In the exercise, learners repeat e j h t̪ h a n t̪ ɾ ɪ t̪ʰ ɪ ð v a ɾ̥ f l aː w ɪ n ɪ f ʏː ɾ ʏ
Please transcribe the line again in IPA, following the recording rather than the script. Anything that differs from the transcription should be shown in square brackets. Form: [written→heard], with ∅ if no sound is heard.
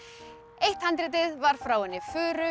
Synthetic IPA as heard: e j h t̪ h a n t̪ ɾ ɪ [t̪ʰ→t̪] ɪ ð v a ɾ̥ f [l→ɾ] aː w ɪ n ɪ f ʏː ɾ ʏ